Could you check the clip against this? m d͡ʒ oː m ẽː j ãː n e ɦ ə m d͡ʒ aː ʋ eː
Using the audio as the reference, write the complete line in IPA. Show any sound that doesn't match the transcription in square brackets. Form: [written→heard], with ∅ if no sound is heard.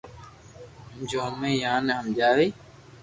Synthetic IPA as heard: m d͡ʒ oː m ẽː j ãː n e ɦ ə m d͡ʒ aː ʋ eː